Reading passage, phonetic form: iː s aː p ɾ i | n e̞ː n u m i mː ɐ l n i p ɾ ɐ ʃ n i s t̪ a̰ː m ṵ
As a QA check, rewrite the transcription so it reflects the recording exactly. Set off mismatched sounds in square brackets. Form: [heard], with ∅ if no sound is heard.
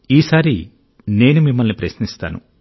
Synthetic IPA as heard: iː s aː [∅] ɾ i | n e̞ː n u m i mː ɐ l n i p ɾ ɐ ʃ n i s t̪ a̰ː [n] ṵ